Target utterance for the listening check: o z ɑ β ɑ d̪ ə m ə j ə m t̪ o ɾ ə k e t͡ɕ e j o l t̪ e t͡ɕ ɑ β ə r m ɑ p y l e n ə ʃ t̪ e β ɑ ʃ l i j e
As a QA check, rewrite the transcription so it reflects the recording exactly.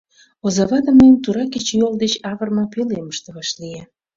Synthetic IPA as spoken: o z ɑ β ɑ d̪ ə m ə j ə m t̪ u ɾ ɑ k e t͡ɕ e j o l d̪ e t͡ɕ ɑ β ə r m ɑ p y l e m ə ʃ t̪ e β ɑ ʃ l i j e